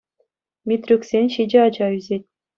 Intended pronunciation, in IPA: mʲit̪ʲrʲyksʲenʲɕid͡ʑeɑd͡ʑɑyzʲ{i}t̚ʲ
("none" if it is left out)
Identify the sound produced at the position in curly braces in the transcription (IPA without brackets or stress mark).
e